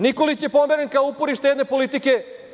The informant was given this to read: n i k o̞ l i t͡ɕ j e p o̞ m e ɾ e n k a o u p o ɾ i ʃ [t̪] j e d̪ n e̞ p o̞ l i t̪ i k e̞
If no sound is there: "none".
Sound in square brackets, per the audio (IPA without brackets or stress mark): t̪